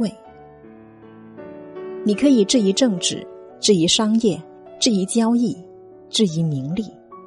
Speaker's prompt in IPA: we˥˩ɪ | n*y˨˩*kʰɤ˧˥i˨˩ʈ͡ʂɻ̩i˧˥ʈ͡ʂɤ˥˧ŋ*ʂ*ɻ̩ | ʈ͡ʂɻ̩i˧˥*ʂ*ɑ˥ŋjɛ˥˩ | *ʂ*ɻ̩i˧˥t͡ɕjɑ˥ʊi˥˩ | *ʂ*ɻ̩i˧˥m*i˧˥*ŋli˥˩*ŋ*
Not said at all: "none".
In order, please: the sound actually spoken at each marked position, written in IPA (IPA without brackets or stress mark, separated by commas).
i˨˩, ʈ͡ʂ, ʂ, ʈ͡ʂ, ʈ͡ʂ, i˧˥, none